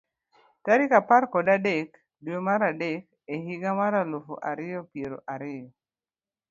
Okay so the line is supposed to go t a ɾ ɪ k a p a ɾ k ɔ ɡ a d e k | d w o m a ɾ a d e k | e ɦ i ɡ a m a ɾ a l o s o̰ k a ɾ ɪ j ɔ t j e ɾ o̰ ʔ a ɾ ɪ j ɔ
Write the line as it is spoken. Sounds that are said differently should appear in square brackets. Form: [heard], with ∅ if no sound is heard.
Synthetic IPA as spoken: t a ɾ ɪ k a p a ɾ k ɔ [d] a d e k | d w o m a ɾ a d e k | e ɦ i ɡ a m a ɾ a l o [f] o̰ [ʔ] a ɾ ɪ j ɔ [p] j e ɾ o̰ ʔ a ɾ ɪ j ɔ